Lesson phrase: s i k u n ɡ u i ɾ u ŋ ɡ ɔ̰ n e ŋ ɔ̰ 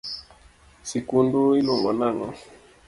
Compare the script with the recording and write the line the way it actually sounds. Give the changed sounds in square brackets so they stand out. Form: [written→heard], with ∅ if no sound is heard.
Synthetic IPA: s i k u n [ɡ→d] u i [ɾ→l] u ŋ ɡ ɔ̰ n [e→a] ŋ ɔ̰